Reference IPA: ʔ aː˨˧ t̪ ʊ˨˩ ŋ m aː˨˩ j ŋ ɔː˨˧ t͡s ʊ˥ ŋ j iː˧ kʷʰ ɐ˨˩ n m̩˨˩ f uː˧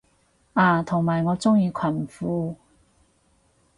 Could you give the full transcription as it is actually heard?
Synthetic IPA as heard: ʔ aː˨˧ t̪ʰ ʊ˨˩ ŋ m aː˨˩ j ŋ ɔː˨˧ t͡s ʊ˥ ŋ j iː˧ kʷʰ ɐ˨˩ n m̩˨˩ f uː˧